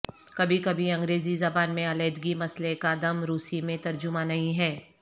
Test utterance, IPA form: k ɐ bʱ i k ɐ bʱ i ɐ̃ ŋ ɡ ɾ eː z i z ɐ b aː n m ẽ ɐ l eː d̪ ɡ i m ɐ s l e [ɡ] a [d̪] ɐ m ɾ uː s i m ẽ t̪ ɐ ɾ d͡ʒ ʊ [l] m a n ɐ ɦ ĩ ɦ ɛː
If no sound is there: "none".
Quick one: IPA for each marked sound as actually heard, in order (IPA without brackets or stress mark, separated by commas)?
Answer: k, d̪, none